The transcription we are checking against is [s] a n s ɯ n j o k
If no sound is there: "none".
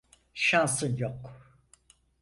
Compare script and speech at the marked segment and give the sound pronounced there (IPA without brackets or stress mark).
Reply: ʃ